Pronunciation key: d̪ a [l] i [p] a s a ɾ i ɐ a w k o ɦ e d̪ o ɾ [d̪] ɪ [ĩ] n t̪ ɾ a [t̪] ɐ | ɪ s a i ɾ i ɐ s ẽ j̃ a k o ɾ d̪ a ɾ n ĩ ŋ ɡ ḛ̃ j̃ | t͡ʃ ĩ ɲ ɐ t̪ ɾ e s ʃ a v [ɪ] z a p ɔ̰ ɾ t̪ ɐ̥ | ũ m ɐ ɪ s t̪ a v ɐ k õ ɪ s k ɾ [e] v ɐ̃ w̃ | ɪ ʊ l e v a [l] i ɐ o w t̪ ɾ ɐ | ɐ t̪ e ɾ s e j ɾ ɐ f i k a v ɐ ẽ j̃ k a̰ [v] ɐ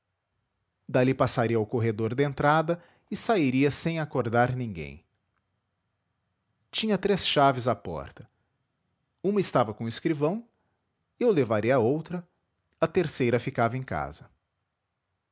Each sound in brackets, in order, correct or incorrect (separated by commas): correct, correct, correct, incorrect, incorrect, correct, incorrect, incorrect, incorrect